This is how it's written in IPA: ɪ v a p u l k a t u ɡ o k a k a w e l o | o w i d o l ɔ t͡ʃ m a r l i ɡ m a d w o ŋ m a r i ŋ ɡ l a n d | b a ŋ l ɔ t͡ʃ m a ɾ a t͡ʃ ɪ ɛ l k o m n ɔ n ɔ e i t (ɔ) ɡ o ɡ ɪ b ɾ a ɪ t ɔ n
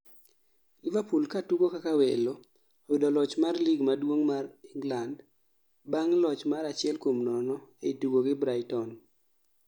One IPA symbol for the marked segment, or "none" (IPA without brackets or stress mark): u